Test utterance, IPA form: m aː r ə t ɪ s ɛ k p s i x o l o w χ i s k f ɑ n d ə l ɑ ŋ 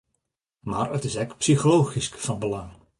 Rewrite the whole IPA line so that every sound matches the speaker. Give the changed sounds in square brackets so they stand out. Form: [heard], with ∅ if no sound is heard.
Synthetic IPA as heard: m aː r ə t ɪ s ɛ k p s i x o l o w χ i s k f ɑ n [b] ə l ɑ ŋ